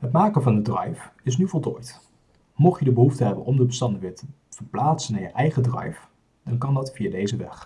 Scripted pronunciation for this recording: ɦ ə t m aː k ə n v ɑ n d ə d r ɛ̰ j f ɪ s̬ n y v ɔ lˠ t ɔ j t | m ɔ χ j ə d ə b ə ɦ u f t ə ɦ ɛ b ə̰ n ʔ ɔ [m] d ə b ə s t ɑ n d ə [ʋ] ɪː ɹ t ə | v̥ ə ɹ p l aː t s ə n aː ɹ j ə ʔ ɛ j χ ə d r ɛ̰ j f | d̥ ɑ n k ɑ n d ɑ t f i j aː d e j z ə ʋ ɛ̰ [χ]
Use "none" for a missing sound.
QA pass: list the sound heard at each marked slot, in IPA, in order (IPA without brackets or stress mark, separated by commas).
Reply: m, ʋ, χ